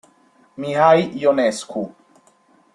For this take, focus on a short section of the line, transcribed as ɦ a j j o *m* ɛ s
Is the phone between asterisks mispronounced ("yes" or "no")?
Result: yes